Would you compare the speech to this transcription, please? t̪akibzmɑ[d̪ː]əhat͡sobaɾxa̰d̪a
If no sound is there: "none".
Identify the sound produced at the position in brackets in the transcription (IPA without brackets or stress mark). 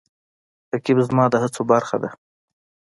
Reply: d̪